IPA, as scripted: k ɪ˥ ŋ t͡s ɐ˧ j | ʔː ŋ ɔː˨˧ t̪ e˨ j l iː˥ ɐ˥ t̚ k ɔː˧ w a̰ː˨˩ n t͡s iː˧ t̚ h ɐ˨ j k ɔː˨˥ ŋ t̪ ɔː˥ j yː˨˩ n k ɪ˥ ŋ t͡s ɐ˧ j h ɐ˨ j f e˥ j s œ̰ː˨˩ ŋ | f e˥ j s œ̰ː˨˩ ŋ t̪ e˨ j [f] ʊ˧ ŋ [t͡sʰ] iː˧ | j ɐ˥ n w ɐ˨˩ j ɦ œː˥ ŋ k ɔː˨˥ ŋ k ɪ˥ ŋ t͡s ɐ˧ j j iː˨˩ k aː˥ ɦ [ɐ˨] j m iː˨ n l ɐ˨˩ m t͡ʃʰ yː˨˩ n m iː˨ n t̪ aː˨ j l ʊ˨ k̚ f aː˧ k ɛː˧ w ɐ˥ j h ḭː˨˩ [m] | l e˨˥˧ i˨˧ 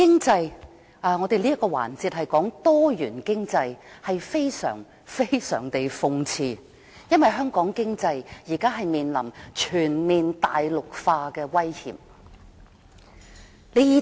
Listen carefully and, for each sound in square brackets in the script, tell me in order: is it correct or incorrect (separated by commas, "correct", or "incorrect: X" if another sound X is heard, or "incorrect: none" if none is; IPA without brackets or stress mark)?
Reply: correct, correct, correct, correct